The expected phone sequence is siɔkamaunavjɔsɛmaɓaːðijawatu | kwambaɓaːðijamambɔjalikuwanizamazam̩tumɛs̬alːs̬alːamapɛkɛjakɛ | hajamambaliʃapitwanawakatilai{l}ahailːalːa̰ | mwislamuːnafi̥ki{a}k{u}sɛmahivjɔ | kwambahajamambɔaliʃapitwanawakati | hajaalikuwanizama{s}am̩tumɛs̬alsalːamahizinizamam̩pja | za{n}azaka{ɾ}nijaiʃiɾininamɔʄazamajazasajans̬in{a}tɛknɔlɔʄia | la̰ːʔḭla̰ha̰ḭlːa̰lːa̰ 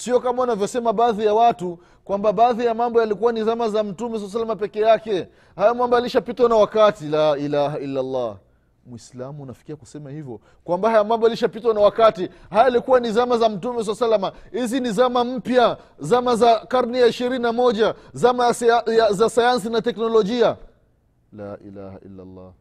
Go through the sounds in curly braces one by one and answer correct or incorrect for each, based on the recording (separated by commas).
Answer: correct, correct, correct, incorrect, incorrect, correct, correct